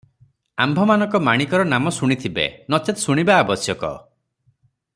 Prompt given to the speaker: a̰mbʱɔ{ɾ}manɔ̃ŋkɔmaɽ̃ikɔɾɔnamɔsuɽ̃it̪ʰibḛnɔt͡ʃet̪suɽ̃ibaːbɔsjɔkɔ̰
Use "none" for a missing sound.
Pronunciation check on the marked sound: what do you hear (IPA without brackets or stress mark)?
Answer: none